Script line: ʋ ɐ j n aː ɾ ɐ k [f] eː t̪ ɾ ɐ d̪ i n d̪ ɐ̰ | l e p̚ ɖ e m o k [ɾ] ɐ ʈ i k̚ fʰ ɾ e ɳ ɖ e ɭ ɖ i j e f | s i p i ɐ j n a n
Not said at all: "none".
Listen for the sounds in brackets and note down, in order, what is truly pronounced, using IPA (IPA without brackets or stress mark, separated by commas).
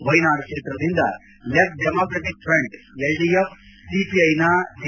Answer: ʂ, ɾ